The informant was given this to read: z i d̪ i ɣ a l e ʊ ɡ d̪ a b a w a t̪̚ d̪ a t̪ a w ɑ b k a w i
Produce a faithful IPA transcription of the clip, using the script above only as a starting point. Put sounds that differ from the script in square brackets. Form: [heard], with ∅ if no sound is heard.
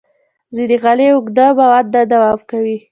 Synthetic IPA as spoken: z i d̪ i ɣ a l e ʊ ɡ d̪ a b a w a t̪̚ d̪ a [d̪] a w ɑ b k a w i

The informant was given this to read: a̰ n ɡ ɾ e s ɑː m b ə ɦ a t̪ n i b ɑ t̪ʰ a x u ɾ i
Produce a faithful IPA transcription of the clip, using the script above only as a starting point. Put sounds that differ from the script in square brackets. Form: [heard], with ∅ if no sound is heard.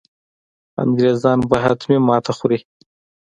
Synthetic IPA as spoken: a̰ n ɡ ɾ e [z] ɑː [n] b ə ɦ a t̪ [m] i [m] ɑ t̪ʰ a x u ɾ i

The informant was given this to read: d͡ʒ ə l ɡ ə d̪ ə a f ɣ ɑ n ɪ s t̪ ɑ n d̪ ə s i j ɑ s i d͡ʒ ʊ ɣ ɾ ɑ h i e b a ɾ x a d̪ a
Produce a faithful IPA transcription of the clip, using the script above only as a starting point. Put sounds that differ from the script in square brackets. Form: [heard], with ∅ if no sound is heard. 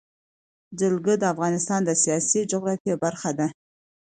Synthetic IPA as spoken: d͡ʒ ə l ɡ ə d̪ ə a f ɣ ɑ n ɪ s t̪ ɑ n d̪ ə s i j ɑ s i d͡ʒ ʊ ɣ ɾ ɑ [f] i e b a ɾ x a d̪ a

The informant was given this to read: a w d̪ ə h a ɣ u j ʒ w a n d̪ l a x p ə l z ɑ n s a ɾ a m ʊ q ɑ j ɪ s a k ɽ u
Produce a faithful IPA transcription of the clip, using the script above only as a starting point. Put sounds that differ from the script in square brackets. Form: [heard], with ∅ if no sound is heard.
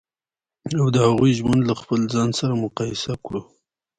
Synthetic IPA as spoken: a w d̪ ə h a ɣ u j ʒ w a n d̪ l a x p ə l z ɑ n s a ɾ a m ʊ q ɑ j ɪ s a k ɽ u

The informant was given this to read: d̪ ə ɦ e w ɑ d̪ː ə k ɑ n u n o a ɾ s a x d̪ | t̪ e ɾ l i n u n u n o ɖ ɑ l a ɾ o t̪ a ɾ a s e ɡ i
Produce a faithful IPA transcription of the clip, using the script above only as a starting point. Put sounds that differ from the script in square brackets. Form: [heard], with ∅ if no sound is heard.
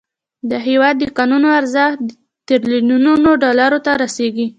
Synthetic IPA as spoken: d̪ ə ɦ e w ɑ d̪ː ə k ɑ n u n o a ɾ [z] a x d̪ | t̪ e ɾ l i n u n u n o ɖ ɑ l a ɾ o t̪ a ɾ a s e ɡ i

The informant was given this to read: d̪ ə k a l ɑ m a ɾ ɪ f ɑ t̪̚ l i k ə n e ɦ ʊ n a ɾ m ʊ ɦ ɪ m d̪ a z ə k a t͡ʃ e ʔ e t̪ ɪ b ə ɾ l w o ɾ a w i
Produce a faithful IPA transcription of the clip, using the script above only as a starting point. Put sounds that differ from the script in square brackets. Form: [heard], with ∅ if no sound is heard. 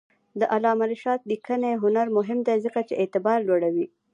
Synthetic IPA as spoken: d̪ ə [ʔ] a l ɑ m a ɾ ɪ [ʃ] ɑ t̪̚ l i k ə n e ɦ ʊ n a ɾ m ʊ ɦ ɪ m d̪ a z ə k a t͡ʃ e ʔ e t̪ ɪ b [ɑ] ɾ l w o [ɽ] a w i

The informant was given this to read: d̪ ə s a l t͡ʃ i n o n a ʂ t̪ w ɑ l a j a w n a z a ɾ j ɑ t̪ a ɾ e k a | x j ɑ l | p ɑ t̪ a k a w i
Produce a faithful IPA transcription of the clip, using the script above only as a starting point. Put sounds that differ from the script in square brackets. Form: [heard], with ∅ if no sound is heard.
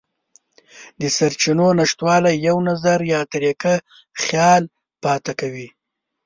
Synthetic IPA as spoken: d̪ ə s a [ɾ] t͡ʃ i n o n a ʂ t̪ w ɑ l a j a w n a z a ɾ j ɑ t̪ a ɾ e k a | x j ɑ l | p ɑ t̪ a k a w i

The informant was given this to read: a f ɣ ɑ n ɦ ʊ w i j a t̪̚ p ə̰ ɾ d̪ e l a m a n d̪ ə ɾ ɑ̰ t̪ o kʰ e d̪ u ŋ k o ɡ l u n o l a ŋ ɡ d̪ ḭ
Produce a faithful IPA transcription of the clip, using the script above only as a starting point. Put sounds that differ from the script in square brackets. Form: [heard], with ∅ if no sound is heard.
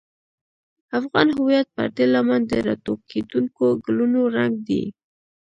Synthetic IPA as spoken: a f ɣ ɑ n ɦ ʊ w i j a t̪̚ p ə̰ ɾ d̪ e l a m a n d̪ ə ɾ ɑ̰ t̪ o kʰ e d̪ u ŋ k o ɡ l u n o [ɾ] a ŋ ɡ d̪ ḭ

